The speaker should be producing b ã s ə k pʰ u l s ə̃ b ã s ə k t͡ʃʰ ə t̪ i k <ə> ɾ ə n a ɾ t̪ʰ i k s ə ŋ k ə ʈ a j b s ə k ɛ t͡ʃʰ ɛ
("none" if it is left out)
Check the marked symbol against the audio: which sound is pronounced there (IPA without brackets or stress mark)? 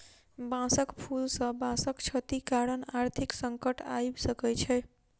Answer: a